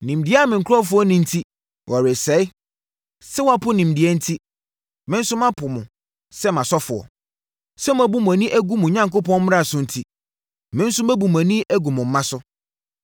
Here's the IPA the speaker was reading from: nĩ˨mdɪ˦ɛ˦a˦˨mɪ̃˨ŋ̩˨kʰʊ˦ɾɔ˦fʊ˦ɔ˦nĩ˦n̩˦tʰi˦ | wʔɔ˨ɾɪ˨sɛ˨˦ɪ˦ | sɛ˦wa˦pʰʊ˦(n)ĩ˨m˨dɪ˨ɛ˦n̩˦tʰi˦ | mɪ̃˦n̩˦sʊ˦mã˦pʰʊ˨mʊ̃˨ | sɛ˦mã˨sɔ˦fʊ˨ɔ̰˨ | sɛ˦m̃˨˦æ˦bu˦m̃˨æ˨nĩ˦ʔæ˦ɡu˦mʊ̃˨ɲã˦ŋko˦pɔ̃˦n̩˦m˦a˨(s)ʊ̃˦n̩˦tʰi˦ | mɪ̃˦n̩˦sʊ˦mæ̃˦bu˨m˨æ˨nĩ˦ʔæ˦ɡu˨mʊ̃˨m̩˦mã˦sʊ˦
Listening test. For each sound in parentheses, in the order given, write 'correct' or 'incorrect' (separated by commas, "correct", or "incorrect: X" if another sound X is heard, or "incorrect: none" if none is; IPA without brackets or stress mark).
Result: correct, correct